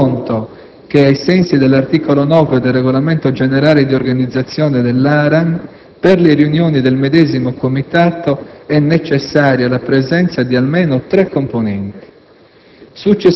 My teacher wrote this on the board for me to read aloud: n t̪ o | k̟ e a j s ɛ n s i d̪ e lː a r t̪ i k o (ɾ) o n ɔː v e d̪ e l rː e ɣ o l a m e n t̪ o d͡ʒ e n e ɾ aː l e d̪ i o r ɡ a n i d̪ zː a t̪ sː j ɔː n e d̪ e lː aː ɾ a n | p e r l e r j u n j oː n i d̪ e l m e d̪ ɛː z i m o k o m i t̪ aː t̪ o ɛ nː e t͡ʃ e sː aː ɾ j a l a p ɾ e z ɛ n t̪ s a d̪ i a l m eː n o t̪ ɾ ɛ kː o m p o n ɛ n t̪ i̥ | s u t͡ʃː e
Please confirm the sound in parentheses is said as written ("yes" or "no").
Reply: no